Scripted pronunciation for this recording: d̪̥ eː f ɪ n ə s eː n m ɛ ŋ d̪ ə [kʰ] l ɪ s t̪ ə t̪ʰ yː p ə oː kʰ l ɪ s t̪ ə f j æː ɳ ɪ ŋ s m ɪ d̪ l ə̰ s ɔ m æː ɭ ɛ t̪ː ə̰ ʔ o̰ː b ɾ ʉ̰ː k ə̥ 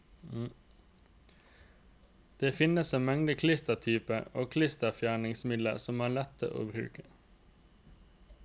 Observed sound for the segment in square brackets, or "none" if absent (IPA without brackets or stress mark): kʰ